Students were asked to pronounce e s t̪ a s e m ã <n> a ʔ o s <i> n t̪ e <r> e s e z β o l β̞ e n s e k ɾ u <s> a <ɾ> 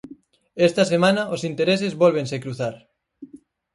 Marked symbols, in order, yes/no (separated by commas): yes, yes, no, no, yes